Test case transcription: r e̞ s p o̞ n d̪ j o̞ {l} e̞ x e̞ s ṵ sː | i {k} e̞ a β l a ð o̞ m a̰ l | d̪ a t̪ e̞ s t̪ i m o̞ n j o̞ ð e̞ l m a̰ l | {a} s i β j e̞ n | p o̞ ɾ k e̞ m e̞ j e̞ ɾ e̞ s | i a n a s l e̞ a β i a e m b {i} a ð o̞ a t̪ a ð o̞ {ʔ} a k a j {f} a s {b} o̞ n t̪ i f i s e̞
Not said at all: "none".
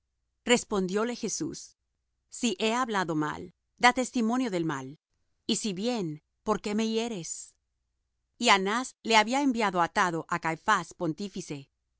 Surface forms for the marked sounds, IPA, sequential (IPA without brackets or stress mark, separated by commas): l, ʔ, i, j, ʔ, f, p